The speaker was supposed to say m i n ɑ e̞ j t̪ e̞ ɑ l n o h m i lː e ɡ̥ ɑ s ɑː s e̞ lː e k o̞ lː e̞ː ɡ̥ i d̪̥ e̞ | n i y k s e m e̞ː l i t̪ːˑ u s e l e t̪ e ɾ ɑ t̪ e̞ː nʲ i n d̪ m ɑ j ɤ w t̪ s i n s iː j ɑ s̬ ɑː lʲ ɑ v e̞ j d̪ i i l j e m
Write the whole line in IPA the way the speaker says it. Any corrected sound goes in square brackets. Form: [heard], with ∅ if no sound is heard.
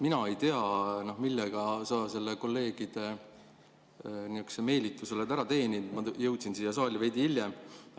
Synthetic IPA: m i n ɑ e̞ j t̪ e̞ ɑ [∅] n o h m i lː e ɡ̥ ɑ s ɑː s e̞ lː e k o̞ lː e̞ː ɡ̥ i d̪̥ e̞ | n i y k s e m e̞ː l i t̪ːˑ u s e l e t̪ [æ] ɾ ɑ t̪ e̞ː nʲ i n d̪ m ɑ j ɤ w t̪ s i n s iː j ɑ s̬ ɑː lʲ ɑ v e̞ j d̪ i i l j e m